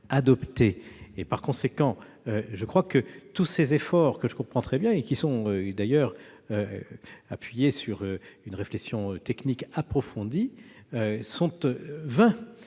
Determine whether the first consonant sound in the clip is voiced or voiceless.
voiced